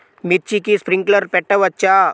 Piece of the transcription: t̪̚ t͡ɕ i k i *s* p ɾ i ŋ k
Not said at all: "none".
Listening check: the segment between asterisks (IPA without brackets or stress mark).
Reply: s